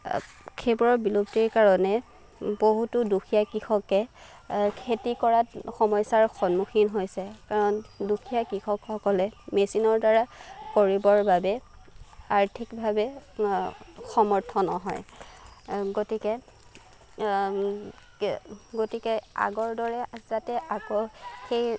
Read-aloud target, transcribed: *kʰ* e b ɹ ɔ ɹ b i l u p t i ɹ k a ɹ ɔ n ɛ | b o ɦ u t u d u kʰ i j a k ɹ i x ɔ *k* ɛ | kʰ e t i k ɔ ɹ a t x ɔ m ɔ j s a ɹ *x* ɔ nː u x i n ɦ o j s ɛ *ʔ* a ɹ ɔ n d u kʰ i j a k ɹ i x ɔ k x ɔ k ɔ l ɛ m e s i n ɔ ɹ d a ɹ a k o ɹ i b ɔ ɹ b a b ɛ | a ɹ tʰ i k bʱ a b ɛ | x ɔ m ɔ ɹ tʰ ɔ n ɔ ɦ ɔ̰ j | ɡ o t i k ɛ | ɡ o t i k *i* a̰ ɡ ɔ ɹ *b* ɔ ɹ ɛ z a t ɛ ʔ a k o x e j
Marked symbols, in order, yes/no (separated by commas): yes, yes, yes, no, no, no